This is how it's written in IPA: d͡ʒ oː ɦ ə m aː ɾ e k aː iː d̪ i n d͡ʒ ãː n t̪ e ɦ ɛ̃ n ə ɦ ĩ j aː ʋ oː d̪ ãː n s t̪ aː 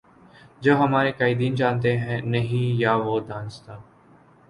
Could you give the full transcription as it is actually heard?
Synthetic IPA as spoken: d͡ʒ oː ɦ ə m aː ɾ e k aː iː d̪ iː n d͡ʒ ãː n t̪ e ɦ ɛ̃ n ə ɦ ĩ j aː ʋ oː d̪ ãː n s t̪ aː